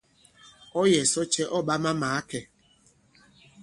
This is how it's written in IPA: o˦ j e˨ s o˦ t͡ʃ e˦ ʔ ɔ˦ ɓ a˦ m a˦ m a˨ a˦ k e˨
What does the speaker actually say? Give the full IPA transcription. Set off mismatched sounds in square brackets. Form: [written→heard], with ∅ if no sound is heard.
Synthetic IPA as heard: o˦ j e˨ s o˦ t͡ʃ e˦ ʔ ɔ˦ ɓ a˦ m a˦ m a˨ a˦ k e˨